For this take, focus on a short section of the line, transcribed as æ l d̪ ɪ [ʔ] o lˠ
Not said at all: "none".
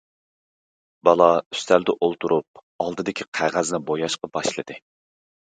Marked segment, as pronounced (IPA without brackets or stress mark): ʔ